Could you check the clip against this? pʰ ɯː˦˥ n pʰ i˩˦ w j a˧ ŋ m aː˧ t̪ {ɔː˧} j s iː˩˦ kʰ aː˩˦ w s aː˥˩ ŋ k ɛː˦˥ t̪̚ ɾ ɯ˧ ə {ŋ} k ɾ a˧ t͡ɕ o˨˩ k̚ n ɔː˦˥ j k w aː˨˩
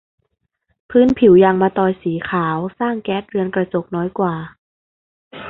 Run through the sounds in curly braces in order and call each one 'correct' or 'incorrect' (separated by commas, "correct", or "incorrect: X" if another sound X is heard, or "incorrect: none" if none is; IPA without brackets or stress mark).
correct, incorrect: n